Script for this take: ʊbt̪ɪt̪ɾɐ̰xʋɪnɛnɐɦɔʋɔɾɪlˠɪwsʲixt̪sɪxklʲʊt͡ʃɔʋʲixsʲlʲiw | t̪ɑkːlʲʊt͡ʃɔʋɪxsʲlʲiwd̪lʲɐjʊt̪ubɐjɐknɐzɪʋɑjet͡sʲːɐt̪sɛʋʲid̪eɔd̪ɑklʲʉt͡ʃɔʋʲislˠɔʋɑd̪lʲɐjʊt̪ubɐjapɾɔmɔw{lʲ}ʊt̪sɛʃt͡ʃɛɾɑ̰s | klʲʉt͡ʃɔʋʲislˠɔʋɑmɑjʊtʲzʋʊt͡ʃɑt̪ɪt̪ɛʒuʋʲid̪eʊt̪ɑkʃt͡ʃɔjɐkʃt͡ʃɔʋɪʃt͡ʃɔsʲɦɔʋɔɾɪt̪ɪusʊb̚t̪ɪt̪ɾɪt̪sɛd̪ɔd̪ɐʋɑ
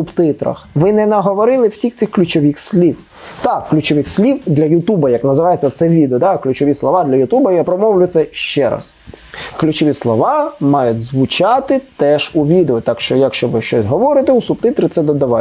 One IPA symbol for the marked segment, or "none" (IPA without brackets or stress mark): lʲ